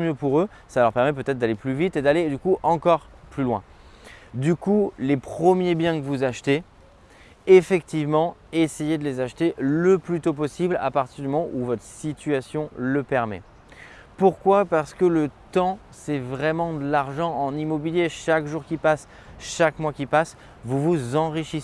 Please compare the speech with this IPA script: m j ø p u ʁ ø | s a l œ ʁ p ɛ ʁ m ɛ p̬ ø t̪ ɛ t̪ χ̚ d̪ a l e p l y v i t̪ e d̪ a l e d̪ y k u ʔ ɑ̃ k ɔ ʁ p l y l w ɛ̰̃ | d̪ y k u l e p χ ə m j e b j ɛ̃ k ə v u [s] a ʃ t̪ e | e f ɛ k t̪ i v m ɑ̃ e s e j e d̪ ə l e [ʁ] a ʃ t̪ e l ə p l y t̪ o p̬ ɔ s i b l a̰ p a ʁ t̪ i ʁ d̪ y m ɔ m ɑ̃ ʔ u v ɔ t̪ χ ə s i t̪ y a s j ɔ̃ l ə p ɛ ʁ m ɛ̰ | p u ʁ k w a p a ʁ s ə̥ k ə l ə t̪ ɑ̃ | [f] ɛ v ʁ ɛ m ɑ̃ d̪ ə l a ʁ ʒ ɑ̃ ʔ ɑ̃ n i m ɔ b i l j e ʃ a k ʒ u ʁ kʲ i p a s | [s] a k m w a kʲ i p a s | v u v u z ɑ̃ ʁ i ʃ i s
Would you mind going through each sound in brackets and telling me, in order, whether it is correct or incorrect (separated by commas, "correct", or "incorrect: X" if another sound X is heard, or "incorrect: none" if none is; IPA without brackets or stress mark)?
incorrect: z, incorrect: z, incorrect: s, incorrect: ʃ